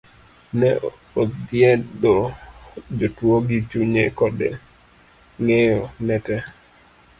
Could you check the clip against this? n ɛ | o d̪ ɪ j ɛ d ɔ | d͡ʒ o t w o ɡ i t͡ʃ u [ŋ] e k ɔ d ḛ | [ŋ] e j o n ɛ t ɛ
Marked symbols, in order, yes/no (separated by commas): no, yes